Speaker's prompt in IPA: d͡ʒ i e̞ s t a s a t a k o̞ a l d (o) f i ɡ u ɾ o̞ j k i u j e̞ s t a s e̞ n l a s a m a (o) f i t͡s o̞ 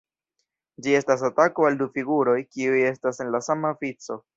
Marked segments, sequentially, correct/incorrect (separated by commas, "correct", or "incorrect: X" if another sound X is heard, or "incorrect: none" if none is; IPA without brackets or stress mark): incorrect: u, correct